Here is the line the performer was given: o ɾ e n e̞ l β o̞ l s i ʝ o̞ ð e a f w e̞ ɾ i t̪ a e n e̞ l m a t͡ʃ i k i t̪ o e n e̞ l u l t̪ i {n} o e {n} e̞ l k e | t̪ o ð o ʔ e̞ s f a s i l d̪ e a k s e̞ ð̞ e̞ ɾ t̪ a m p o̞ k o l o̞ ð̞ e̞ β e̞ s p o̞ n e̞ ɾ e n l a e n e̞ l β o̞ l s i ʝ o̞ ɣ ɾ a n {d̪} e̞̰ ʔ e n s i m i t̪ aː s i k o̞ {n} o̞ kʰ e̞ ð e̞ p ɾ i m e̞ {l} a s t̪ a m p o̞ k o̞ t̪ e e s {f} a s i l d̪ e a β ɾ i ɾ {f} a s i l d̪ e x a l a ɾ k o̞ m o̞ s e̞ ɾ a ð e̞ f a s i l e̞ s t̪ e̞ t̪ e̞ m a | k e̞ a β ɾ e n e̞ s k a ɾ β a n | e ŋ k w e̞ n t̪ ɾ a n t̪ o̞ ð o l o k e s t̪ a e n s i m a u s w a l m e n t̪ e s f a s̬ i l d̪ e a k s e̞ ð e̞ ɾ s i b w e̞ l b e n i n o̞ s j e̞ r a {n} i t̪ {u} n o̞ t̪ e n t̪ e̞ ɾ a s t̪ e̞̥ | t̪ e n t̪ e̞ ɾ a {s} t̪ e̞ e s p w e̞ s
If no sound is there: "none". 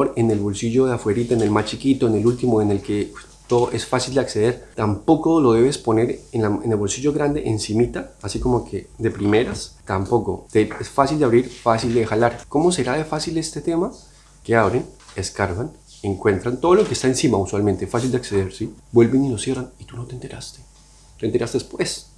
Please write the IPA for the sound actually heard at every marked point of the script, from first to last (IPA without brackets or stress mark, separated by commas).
m, n, d̪, m, ɾ, f, f, n, u, s